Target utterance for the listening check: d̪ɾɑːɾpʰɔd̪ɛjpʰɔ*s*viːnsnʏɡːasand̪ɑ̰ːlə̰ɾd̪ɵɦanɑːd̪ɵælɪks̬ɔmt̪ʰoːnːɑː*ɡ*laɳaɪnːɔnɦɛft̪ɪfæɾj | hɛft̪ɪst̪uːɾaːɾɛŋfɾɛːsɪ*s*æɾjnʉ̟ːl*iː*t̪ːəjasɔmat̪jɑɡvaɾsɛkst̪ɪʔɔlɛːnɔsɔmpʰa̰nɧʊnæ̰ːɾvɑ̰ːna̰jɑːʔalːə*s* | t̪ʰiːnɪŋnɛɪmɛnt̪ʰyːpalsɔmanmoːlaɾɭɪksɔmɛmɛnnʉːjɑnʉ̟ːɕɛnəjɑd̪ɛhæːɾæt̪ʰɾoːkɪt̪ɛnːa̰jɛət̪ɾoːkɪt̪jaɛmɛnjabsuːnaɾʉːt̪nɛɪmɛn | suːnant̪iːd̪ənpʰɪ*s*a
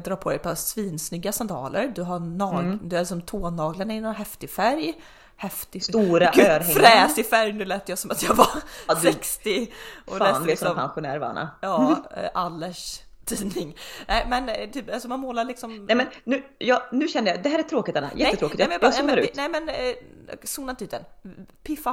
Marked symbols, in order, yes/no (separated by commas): yes, yes, no, no, no, no